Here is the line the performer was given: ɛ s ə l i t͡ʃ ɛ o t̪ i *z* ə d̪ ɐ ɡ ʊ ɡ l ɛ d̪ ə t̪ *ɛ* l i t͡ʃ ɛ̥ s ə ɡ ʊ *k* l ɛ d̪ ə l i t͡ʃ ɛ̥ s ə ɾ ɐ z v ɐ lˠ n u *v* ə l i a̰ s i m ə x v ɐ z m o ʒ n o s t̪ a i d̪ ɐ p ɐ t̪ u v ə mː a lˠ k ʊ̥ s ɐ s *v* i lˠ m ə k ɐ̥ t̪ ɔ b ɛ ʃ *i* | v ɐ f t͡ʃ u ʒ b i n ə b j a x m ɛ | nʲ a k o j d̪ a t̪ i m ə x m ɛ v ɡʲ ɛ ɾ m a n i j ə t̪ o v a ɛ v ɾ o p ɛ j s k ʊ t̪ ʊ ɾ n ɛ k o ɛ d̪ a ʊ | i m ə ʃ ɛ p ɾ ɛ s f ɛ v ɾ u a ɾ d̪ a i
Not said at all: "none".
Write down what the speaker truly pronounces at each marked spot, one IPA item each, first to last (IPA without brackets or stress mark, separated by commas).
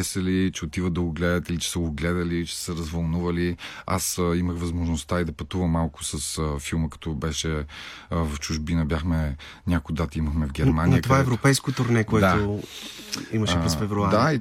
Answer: v, i, ɡ, v, f, ɛ